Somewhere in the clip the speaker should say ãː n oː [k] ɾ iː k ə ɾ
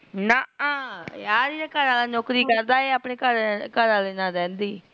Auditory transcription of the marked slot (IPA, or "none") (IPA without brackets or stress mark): k